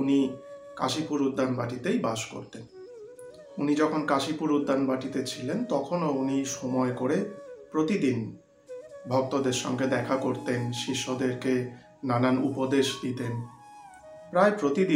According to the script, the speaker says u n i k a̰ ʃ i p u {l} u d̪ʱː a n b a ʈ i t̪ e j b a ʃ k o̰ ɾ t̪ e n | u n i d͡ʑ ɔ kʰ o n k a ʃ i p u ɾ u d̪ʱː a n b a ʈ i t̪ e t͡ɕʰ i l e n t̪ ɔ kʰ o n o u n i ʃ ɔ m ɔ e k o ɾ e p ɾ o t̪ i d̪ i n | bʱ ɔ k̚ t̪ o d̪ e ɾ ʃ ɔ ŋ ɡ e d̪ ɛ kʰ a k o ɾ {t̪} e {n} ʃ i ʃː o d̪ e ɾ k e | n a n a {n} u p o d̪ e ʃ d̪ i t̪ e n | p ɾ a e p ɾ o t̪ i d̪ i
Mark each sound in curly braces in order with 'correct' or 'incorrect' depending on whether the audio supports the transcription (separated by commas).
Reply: incorrect, correct, correct, correct